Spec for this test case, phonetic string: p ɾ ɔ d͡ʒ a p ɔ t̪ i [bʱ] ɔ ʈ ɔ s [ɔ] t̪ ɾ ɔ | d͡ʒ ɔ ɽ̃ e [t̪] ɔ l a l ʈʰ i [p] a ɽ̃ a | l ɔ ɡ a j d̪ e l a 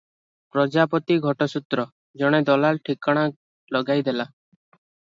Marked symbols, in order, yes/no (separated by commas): no, no, no, no